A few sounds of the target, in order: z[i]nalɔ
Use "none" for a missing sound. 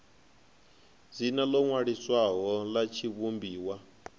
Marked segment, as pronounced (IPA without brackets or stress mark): i